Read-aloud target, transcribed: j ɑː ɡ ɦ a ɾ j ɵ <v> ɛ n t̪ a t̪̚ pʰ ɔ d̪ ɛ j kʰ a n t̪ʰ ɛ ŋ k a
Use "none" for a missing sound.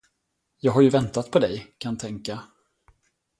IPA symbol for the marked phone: v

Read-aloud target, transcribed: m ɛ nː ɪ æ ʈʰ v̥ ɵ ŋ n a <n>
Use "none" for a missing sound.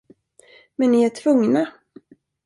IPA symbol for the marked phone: none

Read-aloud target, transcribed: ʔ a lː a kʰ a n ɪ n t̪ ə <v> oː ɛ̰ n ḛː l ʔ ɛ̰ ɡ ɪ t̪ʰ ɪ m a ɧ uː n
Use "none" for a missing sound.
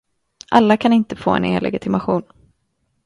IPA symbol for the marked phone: f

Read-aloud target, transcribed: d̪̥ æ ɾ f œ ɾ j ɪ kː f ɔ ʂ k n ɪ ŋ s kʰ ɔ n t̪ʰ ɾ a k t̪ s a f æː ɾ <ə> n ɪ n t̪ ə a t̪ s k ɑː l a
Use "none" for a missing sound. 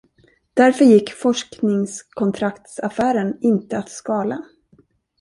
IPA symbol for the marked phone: ə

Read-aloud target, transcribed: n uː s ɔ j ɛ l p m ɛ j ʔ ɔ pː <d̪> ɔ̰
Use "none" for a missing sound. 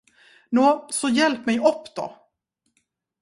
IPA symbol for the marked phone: d̪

